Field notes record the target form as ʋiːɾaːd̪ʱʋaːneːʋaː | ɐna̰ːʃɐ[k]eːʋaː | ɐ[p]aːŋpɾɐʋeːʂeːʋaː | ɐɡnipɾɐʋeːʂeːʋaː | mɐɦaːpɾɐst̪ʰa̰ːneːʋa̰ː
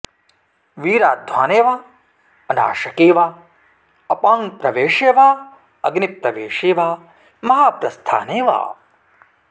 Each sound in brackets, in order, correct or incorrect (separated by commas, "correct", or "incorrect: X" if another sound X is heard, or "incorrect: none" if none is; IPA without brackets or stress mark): correct, correct